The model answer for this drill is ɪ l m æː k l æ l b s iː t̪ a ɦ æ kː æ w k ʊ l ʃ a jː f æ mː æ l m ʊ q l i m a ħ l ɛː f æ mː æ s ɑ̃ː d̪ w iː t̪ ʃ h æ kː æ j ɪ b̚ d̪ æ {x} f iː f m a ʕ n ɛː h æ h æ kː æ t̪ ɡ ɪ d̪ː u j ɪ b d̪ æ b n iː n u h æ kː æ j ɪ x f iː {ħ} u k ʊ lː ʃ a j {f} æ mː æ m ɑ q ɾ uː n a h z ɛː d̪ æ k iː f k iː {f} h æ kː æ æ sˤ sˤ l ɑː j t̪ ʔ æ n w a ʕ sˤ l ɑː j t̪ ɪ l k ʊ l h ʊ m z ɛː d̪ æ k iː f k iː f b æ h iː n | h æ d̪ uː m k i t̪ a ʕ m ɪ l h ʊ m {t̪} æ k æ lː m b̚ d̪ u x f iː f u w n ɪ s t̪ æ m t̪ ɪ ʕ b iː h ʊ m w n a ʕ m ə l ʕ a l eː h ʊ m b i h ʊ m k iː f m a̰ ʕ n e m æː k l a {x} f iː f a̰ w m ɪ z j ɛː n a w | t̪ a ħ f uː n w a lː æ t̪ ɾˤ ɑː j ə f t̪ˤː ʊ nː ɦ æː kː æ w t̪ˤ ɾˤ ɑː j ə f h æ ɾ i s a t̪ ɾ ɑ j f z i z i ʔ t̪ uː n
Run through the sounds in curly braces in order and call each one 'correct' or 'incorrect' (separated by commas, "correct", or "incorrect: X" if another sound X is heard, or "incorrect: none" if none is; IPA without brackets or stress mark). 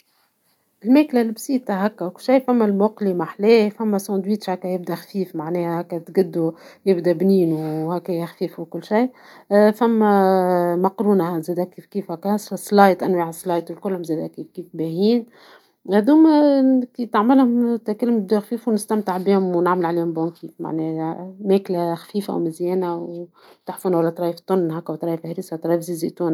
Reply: correct, incorrect: f, correct, correct, correct, correct